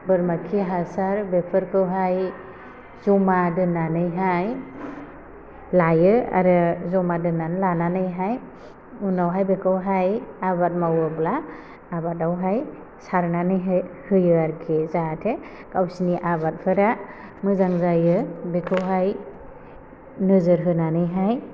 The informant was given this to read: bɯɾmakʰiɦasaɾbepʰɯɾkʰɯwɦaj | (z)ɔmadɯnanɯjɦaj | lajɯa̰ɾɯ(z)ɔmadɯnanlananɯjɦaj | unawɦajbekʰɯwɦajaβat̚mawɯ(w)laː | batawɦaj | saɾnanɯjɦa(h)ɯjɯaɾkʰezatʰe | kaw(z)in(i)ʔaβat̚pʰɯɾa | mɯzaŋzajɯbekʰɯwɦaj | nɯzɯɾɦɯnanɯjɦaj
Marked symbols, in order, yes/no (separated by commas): yes, yes, no, yes, no, yes